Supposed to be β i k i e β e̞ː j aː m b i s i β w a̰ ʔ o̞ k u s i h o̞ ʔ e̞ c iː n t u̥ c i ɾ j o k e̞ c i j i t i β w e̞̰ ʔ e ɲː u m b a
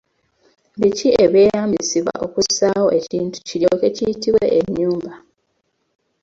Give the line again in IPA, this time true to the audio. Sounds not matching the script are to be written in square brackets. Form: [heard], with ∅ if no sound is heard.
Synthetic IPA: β i [c] i e β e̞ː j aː m b i s i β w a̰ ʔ o̞ k u s [a] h o̞ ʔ e̞ c iː n t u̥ c i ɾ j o k e̞ c i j i t i β w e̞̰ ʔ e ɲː [uː] m b a